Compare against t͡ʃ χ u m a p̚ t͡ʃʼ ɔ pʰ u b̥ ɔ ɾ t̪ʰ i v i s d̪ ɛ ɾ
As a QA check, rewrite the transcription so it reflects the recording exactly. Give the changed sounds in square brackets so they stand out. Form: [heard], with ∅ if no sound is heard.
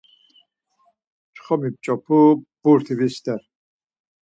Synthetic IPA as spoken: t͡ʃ χ [ɔ] m [i] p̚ t͡ʃʼ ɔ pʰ u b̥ [u] ɾ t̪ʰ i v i s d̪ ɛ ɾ